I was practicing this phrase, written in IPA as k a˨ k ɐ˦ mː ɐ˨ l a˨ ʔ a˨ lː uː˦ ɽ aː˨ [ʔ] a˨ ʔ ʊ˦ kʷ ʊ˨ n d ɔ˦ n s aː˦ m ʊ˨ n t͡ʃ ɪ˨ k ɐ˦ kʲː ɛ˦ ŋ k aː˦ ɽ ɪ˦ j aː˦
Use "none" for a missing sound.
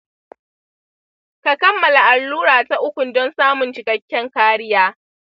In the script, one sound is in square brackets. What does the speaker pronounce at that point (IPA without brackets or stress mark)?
t